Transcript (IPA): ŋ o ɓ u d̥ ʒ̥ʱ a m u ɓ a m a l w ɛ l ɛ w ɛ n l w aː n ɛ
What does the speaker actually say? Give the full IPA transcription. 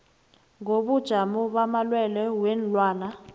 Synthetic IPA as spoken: ŋ o ɓ u d̥ ʒ̥ʱ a m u ɓ a m a l w ɛ l ɛ w ɛ n l w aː n a